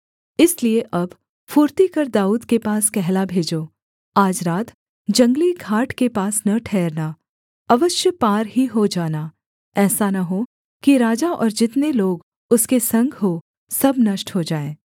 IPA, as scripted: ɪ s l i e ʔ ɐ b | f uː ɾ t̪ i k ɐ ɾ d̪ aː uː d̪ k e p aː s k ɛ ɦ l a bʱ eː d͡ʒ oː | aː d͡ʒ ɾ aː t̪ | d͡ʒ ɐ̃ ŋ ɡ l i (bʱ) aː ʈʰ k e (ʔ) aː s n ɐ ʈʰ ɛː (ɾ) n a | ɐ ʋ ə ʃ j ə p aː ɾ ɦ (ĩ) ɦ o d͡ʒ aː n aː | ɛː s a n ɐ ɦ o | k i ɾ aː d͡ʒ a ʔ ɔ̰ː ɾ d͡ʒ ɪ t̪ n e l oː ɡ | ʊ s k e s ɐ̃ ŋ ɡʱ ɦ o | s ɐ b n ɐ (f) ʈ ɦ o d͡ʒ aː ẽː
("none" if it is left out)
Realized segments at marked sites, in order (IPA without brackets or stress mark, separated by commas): ɡʱ, p, ɾ, i, ʃ